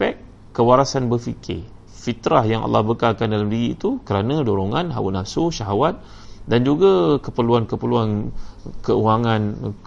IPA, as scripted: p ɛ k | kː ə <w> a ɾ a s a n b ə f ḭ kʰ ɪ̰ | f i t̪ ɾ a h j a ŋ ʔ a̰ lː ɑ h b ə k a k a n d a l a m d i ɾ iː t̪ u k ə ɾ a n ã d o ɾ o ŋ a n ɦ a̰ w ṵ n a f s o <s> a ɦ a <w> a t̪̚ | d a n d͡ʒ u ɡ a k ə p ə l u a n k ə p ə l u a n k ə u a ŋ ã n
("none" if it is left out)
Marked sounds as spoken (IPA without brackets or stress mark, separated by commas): w, ʃ, w